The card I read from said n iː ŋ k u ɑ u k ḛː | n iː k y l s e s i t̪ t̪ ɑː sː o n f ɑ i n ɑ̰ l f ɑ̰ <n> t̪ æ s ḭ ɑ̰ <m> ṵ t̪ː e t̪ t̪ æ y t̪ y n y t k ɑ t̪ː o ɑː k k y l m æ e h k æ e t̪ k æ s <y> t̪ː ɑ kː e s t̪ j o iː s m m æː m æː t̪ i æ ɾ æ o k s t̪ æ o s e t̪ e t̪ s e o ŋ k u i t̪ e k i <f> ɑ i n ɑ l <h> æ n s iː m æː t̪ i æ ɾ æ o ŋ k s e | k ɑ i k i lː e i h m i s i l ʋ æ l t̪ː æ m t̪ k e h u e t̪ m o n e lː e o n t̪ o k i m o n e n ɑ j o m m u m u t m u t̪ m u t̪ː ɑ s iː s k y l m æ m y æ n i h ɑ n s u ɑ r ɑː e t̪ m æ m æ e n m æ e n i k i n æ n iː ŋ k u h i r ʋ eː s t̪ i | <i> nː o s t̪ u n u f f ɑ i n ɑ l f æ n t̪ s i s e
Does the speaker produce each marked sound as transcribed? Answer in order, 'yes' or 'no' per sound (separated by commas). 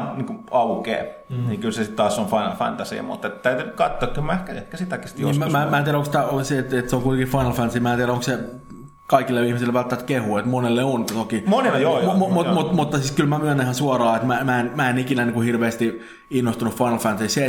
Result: yes, yes, no, yes, no, yes